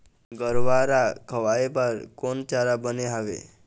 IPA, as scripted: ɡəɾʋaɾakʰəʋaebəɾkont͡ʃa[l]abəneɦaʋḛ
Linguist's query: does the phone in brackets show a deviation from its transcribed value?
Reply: yes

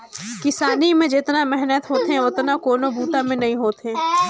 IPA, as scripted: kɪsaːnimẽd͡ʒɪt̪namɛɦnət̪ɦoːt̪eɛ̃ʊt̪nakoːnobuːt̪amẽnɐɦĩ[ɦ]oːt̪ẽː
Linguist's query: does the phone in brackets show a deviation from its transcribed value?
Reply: no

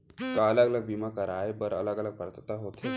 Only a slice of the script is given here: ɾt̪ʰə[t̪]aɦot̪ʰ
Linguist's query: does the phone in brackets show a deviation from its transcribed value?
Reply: no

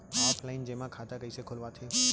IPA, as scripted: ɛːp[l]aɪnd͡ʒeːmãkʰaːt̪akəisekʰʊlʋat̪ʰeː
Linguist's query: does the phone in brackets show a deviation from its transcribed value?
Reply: no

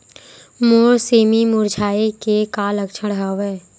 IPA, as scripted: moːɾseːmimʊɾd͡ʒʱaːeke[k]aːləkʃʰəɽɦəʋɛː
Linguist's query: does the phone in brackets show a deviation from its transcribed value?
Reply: no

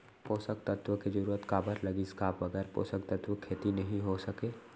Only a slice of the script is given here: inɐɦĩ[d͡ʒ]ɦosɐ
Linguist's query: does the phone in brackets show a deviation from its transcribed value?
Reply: yes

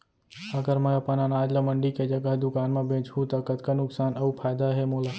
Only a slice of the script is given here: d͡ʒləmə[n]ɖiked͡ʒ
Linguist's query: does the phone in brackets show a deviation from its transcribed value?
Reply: yes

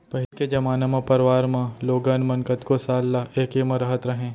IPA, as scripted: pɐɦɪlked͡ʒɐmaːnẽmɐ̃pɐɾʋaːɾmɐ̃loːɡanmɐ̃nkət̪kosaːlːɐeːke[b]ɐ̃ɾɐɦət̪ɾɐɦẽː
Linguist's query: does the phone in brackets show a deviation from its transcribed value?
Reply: yes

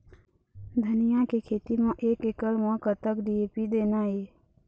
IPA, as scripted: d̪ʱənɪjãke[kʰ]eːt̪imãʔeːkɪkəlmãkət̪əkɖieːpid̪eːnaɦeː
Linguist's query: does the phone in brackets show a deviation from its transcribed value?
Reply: no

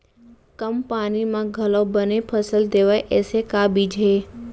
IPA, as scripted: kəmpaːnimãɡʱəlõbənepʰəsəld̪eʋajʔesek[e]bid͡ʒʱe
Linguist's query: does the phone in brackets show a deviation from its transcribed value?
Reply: yes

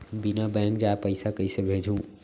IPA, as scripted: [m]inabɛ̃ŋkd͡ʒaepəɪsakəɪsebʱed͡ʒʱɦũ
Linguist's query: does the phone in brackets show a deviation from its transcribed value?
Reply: yes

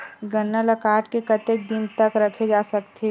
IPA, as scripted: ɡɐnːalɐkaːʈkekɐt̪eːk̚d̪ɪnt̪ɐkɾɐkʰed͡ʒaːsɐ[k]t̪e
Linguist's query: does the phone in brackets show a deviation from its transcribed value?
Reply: no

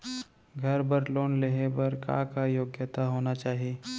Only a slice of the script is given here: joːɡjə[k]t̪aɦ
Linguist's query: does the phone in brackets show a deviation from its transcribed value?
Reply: yes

